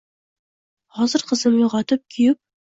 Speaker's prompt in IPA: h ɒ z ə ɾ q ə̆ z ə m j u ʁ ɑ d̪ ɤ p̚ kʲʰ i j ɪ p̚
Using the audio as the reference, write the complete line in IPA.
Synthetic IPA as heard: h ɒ z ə ɾ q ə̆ z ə m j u ʁ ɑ t̪ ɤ p̚ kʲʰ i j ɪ p̚

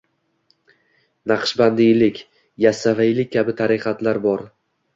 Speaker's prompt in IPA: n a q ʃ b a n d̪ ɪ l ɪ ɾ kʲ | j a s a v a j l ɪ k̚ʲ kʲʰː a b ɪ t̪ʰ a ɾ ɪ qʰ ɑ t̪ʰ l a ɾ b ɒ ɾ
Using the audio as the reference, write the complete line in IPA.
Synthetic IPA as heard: n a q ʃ b a n d̪ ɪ l ɪ kʲ | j a s a v a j l ɪ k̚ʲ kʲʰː a b ɪ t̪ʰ a ɾ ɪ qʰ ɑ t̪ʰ l a ɾ b ɒ ɾ

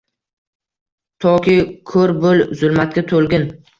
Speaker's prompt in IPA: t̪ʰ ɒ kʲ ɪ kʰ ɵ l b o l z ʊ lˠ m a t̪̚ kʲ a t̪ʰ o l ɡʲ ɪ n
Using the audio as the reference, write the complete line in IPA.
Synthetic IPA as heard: t̪ʰ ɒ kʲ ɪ kʰ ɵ ɾ b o l z ʊ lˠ m a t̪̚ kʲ a t̪ʰ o l ɡʲ ɪ n

